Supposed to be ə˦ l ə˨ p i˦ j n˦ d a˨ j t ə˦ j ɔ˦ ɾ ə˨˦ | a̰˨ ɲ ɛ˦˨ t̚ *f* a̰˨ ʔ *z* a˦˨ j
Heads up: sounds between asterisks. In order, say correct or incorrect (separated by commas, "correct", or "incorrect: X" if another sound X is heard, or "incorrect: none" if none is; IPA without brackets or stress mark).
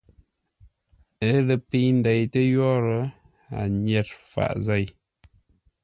correct, correct